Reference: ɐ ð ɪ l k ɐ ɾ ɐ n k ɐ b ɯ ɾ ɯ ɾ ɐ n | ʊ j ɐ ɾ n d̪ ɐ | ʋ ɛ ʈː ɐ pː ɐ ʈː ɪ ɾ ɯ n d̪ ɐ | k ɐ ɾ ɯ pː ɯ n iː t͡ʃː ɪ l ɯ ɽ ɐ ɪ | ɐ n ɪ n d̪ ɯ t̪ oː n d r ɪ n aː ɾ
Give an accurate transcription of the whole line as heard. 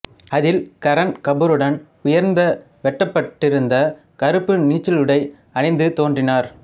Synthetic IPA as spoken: ɐ ð ɪ l k ɐ ɾ ɐ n k ɐ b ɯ ɾ ɯ ɽ ɐ n | ʊ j ɐ ɾ n d̪ ɐ | ʋ ɛ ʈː ɐ pː ɐ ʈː ɪ ɾ ɯ n d̪ ɐ | k ɐ ɾ ɯ pː ɯ n iː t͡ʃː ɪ l ɯ ɽ ɐ ɪ | ɐ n ɪ n d̪ ɯ t̪ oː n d r ɪ n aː ɾ